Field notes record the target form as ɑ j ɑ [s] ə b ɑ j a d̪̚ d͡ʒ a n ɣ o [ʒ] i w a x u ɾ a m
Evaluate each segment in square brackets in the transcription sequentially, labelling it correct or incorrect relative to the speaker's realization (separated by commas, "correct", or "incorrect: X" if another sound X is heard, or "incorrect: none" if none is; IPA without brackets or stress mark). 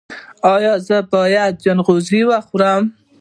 incorrect: z, incorrect: z